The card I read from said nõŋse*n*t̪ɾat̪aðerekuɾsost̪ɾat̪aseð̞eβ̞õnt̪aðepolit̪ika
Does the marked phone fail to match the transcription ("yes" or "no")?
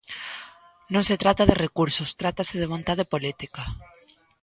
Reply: yes